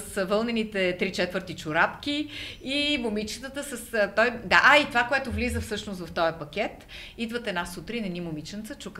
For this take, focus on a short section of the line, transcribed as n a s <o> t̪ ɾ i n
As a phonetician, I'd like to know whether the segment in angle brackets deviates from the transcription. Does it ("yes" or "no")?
yes